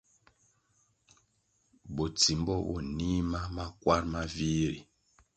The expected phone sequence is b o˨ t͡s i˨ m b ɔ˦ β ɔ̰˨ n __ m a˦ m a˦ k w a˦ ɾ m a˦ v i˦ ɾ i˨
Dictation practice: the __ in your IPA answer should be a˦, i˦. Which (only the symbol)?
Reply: i˦